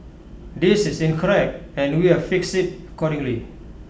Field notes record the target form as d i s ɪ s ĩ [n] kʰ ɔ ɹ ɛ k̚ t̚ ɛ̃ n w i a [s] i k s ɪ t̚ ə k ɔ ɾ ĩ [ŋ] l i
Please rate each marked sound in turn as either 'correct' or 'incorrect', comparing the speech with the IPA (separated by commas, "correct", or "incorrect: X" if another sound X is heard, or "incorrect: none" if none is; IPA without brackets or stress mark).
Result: correct, incorrect: f, correct